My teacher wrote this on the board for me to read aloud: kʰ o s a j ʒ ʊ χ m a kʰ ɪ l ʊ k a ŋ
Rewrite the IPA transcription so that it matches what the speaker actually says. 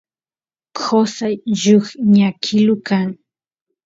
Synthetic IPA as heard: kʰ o s a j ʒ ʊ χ ɲ a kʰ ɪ l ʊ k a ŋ